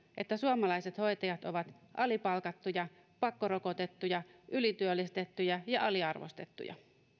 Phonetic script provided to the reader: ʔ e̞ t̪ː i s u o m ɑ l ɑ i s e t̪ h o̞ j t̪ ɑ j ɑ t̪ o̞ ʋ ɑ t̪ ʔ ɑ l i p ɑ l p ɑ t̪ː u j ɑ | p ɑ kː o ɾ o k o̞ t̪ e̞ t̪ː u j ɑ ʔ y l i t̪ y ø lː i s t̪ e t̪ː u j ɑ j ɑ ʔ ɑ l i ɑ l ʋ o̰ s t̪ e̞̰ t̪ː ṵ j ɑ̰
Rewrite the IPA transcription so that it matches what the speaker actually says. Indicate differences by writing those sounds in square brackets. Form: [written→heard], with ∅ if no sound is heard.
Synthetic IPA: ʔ e̞ t̪ː [i→æ] s u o m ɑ l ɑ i s e t̪ h o̞ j t̪ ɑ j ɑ t̪ o̞ ʋ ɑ t̪ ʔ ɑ l i p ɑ l [p→k] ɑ t̪ː u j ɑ | p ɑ kː o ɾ o k o̞ t̪ e̞ t̪ː u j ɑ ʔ y l i t̪ y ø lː i s t̪ e t̪ː u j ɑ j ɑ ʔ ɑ l i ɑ [l→r] ʋ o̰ s t̪ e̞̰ t̪ː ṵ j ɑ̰